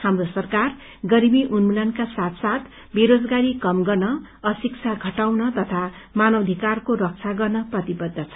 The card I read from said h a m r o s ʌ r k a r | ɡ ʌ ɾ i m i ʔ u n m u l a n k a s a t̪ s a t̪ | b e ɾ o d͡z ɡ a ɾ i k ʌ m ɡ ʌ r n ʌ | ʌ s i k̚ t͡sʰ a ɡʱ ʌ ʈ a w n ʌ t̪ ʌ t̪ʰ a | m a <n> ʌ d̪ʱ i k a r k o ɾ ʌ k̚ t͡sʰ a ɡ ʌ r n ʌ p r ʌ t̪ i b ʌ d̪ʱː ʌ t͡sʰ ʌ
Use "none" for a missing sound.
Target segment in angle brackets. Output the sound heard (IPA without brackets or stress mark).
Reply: n